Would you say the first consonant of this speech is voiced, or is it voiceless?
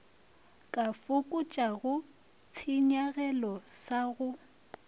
voiceless